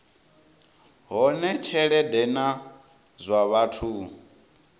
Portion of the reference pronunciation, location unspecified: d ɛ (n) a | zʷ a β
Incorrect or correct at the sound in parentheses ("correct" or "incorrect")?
correct